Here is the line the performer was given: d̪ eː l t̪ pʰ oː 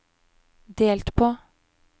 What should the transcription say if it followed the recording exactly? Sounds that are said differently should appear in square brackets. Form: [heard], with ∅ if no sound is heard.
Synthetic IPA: d̪ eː l t̪ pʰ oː